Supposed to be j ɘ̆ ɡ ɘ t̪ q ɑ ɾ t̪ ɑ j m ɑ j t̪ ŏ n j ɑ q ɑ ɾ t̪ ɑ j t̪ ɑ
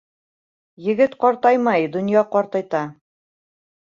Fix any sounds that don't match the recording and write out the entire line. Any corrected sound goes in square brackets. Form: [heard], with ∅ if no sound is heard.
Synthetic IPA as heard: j ɘ̆ ɡ ɘ t̪ q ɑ ɾ t̪ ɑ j m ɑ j [d̪] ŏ n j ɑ q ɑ ɾ t̪ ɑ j t̪ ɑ